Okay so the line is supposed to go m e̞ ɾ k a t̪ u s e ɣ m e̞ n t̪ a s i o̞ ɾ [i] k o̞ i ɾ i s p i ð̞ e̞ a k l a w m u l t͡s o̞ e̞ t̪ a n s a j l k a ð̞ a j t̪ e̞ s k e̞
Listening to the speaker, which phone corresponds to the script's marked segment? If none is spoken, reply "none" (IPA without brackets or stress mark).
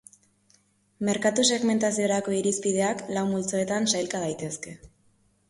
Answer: a